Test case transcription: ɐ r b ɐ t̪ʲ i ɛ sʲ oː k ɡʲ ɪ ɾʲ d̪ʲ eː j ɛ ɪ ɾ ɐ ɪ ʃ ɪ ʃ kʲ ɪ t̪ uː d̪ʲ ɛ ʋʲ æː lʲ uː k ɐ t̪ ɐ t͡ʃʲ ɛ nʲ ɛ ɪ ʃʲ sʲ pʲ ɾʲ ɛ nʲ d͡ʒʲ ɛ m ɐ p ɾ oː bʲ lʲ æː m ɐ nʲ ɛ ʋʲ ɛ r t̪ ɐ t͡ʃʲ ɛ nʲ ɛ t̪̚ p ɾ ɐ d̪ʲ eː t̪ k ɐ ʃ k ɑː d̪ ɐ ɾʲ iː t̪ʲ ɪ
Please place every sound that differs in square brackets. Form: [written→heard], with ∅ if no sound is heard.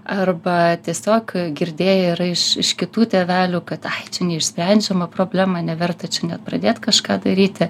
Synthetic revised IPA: ɐ r b ɐ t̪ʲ i ɛ sʲ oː k ɡʲ ɪ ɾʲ d̪ʲ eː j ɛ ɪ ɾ ɐ ɪ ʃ ɪ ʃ kʲ ɪ t̪ uː [d̪ʲ→t̪ʲ] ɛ ʋʲ æː lʲ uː k ɐ t̪ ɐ t͡ʃʲ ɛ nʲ ɛ ɪ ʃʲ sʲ pʲ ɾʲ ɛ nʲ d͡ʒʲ ɛ m ɐ p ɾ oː bʲ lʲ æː m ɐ nʲ ɛ ʋʲ ɛ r t̪ ɐ t͡ʃʲ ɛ nʲ ɛ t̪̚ p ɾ ɐ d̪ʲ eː t̪ k ɐ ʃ k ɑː d̪ ɐ ɾʲ iː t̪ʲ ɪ